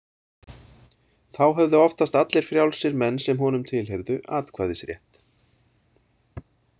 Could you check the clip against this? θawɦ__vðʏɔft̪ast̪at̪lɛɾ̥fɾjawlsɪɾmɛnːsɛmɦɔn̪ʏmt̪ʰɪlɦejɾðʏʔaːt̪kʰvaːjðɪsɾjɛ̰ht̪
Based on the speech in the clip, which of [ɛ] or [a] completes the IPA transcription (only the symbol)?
ɛ